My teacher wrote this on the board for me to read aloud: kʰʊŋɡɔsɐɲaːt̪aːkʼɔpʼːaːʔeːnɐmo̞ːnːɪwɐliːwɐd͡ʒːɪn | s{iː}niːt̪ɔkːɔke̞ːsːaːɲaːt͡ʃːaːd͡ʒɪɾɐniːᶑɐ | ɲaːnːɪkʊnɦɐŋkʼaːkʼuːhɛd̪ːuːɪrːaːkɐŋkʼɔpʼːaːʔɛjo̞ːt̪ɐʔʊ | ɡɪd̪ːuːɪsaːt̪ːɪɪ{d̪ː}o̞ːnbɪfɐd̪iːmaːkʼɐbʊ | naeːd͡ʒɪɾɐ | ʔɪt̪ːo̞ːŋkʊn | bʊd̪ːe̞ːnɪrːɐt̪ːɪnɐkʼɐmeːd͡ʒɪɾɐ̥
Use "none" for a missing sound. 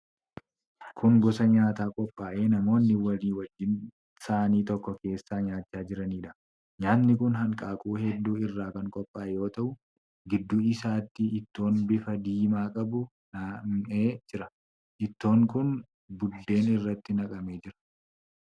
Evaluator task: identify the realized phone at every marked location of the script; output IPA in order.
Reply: aː, t̪ː

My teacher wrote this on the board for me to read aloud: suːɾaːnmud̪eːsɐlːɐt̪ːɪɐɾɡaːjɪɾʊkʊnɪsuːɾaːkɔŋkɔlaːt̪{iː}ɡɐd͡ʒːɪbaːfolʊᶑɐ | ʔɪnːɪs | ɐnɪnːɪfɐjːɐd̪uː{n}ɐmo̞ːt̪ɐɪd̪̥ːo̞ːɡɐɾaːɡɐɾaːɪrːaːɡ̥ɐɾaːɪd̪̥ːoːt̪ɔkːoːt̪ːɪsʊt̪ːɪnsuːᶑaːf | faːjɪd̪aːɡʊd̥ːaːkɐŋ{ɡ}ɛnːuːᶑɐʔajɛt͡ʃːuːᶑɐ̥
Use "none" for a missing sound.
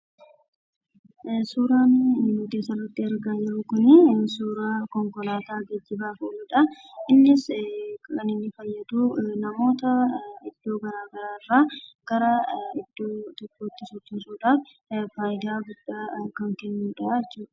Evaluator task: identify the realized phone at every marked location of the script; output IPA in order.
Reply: aː, n, k

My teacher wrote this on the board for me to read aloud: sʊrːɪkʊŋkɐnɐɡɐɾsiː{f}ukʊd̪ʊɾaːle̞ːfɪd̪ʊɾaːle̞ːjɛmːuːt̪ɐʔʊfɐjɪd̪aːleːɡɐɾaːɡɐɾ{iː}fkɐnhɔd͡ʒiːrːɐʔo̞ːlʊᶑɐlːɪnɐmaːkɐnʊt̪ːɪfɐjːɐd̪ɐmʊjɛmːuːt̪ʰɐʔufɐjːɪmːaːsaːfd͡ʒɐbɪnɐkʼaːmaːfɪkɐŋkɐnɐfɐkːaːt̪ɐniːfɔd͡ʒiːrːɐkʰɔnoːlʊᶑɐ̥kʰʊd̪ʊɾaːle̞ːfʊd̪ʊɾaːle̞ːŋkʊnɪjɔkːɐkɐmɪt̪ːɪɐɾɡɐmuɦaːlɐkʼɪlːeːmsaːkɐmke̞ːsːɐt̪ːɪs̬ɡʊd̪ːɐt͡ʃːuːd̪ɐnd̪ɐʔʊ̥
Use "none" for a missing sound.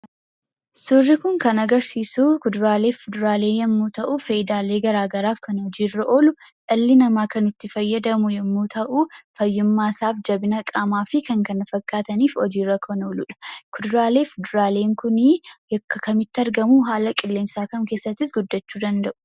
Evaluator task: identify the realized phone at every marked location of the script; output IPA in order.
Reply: s, aː

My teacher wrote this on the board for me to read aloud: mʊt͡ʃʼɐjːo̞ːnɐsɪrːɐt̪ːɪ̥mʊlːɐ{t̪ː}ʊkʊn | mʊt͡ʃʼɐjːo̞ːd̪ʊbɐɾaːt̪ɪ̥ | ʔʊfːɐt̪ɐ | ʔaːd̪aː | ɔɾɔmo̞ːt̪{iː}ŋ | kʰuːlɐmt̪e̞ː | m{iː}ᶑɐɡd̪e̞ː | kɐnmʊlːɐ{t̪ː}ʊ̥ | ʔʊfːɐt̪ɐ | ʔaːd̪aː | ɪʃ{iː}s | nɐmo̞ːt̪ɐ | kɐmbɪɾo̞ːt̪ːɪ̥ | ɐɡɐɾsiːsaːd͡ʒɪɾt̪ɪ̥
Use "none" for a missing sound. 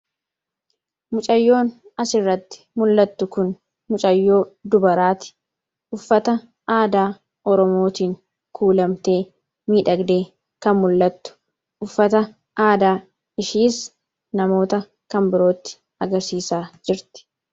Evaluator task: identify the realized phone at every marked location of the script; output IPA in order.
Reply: t̪ː, iː, iː, t̪ː, iː

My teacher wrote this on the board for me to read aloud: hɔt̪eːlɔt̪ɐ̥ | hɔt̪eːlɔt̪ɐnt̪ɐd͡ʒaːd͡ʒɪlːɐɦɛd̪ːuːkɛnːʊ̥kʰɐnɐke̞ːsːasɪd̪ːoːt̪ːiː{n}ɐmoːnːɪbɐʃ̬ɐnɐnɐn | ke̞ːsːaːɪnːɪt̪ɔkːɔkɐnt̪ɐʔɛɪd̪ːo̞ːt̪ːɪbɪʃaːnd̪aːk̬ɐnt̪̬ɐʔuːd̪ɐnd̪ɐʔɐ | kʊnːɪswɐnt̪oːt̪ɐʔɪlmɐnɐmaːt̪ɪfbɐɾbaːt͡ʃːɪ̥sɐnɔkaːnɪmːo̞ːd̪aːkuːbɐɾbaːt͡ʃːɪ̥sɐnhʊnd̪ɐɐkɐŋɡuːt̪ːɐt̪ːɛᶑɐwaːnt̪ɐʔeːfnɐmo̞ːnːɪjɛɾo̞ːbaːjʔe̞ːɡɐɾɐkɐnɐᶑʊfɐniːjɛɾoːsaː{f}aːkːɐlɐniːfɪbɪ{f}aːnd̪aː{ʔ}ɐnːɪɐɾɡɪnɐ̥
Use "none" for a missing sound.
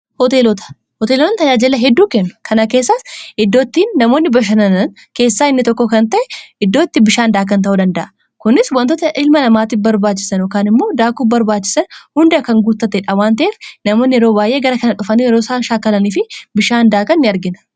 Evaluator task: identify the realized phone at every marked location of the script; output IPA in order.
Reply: nː, ʃ, ʃ, k

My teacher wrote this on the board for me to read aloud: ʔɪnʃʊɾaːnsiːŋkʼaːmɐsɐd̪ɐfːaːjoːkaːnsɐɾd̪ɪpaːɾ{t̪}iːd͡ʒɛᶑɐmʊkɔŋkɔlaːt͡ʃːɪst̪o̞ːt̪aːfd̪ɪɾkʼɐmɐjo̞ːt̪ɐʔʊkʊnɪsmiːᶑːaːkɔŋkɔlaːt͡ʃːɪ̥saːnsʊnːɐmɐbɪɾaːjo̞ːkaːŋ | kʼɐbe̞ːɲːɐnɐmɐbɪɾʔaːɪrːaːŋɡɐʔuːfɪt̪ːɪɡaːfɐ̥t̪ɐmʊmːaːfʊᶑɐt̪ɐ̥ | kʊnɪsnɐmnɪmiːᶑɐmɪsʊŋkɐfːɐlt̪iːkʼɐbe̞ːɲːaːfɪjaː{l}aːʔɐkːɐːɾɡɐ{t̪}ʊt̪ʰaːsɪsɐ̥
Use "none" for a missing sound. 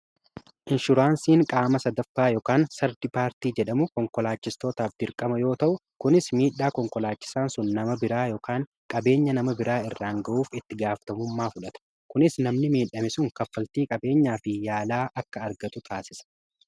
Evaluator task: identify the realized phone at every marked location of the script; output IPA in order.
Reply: t̪, l, t̪

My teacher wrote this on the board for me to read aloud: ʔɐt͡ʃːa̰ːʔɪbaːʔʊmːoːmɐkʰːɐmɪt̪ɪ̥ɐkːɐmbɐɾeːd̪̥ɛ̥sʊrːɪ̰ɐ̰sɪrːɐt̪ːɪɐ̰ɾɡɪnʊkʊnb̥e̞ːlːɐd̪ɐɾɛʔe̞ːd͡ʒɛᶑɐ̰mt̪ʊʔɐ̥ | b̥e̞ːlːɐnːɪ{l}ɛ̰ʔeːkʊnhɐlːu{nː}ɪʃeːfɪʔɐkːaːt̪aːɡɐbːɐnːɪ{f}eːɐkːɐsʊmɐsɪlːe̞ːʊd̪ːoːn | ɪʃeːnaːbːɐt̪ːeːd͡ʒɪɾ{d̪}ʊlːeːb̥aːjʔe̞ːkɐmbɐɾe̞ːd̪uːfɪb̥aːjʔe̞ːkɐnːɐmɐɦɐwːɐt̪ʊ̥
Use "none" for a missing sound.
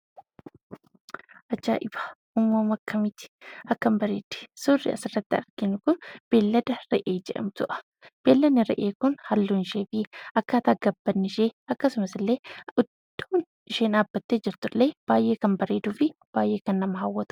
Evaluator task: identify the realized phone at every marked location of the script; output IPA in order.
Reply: ɾ, n, ʃ, t̪

